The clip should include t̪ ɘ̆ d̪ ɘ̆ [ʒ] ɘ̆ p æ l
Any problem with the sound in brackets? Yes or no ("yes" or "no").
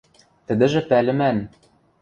no